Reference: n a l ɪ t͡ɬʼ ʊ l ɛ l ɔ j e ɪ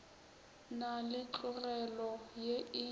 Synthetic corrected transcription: n a l ɪ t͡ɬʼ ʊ r ɛ l ɔ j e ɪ